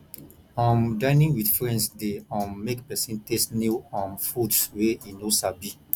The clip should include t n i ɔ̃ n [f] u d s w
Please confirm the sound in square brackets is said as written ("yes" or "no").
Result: yes